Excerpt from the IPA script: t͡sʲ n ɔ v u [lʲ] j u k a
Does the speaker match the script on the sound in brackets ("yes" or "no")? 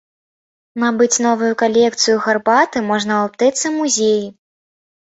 no